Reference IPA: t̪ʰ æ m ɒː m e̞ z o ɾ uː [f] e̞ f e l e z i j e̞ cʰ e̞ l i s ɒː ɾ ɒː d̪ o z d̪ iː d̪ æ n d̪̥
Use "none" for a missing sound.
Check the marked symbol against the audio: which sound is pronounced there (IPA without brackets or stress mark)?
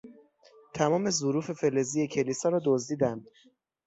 f